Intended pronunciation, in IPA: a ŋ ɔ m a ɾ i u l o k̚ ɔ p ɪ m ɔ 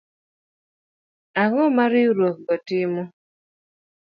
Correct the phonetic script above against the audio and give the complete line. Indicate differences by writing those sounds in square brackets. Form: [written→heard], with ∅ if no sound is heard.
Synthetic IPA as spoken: a ŋ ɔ m a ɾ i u [l→ɾ] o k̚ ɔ [p→t] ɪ m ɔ

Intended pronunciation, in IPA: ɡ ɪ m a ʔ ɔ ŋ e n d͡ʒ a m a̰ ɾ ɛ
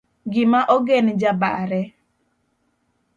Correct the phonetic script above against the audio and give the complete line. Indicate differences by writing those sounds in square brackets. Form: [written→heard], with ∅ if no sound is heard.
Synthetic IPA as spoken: ɡ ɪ m a ʔ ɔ [ŋ→ɡ] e n d͡ʒ a [m→b] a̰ ɾ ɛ

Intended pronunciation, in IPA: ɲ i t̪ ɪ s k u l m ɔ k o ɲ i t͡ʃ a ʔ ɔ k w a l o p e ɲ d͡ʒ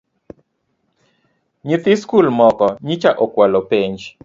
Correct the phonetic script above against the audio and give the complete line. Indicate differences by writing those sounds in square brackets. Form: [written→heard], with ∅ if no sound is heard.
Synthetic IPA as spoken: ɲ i t̪ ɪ s k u l m ɔ k [o→ɔ] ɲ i t͡ʃ a ʔ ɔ k w a l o p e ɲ d͡ʒ

